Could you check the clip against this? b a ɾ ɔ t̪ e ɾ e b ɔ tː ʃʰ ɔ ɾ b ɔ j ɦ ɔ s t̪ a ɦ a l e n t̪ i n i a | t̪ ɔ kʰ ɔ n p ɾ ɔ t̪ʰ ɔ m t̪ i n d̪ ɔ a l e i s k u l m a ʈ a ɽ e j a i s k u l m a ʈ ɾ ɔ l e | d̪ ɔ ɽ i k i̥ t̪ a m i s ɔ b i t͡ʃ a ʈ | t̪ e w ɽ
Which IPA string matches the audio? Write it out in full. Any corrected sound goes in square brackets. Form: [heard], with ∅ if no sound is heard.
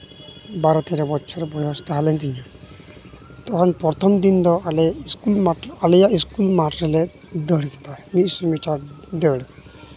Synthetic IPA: b a ɾ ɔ t̪ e ɾ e b ɔ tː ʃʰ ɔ ɾ b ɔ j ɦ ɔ s t̪ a ɦ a l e n t̪ i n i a | t̪ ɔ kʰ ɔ n p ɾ ɔ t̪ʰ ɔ m [d̪] i n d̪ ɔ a l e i s k u l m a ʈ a [l] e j a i s k u l m a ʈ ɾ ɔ l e | d̪ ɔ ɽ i k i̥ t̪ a m i s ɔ [m] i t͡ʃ a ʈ | [d̪] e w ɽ